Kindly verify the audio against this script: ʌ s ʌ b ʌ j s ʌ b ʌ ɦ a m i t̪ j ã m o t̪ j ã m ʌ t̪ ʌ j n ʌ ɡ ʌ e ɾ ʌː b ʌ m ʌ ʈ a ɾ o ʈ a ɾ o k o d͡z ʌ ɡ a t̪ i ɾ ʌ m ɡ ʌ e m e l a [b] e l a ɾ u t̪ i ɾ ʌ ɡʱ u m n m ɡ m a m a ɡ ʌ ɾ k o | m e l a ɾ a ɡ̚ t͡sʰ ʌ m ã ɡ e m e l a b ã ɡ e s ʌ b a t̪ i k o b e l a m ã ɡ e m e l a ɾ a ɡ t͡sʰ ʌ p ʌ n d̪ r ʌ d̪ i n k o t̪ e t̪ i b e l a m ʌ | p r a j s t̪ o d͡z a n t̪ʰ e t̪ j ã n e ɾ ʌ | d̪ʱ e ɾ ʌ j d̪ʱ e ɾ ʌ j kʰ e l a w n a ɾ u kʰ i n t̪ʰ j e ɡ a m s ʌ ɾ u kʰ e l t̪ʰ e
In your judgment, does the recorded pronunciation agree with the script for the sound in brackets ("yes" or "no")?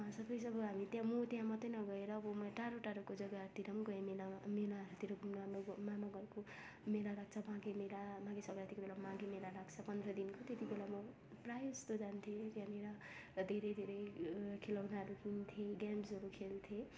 no